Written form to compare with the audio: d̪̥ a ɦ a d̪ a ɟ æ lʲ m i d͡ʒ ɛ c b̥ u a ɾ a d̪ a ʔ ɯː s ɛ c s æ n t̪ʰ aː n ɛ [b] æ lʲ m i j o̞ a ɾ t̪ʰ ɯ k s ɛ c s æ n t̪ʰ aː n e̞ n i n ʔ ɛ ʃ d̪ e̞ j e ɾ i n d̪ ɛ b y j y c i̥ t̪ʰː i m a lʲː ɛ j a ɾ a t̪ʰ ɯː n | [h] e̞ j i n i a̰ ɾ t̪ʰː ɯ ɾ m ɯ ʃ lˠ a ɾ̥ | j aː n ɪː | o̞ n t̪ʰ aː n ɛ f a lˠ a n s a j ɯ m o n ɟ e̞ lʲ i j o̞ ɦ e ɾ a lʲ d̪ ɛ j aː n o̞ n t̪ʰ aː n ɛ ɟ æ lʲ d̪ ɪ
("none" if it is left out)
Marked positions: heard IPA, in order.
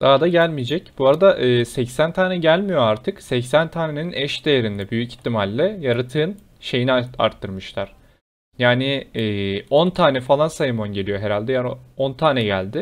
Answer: ɟ, ʃ

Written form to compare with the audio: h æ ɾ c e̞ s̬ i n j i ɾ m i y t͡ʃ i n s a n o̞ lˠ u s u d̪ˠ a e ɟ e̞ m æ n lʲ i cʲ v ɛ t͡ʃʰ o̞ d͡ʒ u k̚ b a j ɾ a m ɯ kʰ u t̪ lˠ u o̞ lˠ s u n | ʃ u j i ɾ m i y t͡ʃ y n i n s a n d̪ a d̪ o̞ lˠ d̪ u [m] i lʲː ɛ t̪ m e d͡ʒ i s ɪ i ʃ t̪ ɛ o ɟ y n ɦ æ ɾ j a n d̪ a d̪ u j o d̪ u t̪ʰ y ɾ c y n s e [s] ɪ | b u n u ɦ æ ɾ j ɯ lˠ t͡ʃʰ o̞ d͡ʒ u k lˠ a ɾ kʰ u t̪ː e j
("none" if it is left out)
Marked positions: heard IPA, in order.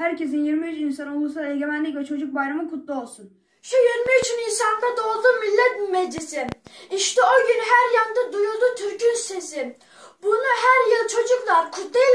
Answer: m, s

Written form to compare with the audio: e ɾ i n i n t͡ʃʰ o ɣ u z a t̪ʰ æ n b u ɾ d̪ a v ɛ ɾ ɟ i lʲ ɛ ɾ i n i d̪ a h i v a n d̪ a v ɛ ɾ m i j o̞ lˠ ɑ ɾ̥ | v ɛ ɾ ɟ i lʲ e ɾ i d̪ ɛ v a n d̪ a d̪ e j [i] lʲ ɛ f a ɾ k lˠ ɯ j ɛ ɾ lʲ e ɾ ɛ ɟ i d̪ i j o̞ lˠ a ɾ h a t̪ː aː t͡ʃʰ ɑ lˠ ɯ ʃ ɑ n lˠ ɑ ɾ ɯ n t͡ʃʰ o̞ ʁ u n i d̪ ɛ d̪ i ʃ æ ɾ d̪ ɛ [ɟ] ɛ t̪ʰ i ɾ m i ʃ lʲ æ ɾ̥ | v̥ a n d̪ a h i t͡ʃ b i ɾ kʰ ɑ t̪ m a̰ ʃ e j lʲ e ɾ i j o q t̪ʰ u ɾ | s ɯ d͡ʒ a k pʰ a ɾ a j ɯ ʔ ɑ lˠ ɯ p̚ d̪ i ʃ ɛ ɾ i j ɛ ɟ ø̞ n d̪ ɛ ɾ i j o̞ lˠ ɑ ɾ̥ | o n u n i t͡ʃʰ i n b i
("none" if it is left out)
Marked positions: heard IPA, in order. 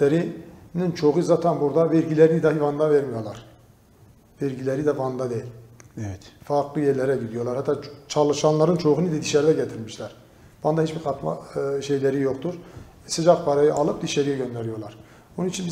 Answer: i, ɟ

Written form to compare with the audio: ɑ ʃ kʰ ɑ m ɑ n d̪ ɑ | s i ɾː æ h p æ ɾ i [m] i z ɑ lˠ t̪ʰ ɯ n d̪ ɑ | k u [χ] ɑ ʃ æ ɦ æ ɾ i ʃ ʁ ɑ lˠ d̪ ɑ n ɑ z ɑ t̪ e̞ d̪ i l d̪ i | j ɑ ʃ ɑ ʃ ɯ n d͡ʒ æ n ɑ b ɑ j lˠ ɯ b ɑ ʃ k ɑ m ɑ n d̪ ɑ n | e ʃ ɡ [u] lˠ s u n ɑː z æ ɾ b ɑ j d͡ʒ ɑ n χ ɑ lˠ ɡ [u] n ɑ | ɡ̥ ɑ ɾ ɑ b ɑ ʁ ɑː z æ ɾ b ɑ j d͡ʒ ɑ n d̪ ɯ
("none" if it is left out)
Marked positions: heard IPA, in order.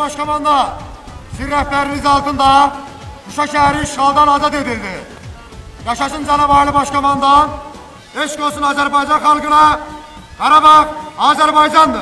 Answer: n, ʃ, o, ɯ

